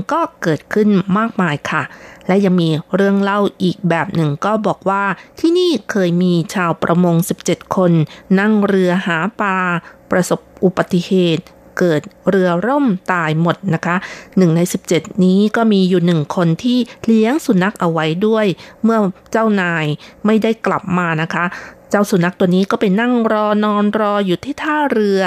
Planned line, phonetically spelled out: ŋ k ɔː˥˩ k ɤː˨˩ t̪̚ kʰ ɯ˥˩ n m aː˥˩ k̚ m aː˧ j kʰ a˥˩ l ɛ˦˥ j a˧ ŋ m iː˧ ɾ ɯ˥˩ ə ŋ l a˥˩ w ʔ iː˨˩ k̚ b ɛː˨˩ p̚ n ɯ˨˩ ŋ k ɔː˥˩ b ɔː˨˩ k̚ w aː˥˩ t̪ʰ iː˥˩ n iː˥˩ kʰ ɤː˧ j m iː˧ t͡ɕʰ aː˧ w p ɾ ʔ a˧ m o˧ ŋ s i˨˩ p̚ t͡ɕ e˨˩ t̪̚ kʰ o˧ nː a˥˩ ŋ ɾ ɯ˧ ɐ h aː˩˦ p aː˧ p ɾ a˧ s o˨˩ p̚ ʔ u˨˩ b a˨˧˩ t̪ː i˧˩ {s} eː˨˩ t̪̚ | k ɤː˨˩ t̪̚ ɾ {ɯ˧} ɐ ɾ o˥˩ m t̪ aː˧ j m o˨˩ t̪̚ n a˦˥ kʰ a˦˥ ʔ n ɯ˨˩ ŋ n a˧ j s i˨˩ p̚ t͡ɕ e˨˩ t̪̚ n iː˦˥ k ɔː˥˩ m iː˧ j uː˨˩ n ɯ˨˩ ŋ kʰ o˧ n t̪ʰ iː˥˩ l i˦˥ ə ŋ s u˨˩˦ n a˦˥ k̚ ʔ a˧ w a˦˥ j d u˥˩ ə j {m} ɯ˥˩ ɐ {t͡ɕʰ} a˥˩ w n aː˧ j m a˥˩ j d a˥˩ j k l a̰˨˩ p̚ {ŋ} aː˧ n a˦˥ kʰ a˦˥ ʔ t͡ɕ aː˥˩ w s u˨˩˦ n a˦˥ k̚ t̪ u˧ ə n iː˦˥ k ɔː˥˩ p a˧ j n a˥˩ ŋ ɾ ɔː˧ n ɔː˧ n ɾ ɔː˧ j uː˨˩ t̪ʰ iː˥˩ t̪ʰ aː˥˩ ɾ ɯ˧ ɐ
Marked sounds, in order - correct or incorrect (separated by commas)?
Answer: incorrect, correct, correct, incorrect, incorrect